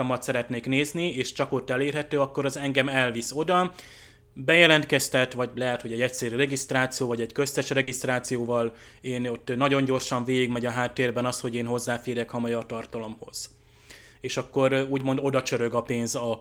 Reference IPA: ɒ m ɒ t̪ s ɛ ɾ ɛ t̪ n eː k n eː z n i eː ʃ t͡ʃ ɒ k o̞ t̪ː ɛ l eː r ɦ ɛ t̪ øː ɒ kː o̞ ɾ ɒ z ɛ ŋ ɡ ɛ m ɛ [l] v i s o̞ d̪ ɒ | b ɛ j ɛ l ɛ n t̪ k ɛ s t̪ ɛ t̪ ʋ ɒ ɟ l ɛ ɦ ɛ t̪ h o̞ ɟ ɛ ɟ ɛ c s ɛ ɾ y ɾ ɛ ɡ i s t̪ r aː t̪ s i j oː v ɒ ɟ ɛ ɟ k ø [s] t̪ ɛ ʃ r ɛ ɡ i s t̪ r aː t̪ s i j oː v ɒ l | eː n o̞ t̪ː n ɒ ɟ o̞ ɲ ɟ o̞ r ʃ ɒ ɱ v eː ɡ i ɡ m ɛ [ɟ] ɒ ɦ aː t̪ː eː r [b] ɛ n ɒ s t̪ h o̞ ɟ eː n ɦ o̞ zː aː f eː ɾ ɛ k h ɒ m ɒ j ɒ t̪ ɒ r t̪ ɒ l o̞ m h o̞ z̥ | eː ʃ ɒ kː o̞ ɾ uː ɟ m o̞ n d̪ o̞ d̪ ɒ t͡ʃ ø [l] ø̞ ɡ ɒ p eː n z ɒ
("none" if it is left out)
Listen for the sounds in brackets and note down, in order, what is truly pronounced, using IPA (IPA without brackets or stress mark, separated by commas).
l, s, ɟ, b, ɾ